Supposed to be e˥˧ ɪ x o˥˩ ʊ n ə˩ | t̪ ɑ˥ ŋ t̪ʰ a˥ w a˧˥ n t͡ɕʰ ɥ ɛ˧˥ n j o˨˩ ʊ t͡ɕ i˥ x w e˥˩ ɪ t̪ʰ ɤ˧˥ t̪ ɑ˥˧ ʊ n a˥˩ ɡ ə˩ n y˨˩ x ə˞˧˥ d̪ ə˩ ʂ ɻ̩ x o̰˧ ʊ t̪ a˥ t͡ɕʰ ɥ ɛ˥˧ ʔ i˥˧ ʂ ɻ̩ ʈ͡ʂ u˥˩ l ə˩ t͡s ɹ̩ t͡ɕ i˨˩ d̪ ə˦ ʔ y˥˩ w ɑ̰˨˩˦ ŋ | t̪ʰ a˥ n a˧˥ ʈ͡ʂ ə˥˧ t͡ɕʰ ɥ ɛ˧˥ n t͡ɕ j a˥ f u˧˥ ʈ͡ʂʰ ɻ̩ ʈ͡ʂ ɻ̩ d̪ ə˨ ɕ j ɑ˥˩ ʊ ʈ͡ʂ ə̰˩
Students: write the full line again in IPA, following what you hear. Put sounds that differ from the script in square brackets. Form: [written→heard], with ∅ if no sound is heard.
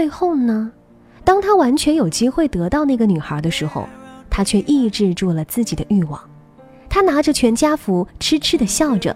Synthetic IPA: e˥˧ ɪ x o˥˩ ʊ n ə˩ | t̪ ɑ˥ ŋ t̪ʰ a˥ w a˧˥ n t͡ɕʰ ɥ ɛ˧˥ n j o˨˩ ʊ t͡ɕ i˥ x w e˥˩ ɪ [t̪ʰ→t̪] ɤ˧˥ t̪ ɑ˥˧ ʊ n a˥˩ ɡ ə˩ n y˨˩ x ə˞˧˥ d̪ [ə˩→ə˧] ʂ ɻ̩ x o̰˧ ʊ [t̪→t̪ʰ] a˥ t͡ɕʰ ɥ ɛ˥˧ ʔ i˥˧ [ʂ→ʈ͡ʂ] ɻ̩ ʈ͡ʂ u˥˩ l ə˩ t͡s ɹ̩ t͡ɕ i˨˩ d̪ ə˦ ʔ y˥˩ w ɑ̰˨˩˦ ŋ | t̪ʰ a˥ n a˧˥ ʈ͡ʂ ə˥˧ t͡ɕʰ ɥ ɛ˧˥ n t͡ɕ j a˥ f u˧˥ ʈ͡ʂʰ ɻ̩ [ʈ͡ʂ→ʈ͡ʂʰ] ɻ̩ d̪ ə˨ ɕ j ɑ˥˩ ʊ ʈ͡ʂ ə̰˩